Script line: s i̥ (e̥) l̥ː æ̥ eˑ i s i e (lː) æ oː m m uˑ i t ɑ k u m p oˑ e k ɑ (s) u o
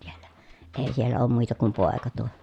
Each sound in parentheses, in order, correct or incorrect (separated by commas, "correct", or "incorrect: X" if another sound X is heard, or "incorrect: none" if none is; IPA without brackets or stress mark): correct, correct, incorrect: t